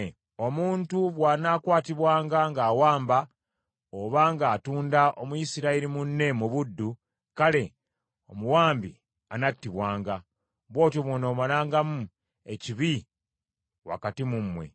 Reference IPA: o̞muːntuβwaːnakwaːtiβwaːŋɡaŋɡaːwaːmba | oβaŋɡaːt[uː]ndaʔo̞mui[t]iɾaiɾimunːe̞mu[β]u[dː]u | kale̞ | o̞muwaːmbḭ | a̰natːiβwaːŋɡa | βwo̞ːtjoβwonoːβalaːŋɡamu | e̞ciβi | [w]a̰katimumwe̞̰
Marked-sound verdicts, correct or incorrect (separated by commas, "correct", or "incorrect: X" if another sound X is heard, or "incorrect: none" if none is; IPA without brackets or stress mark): correct, incorrect: s, correct, correct, correct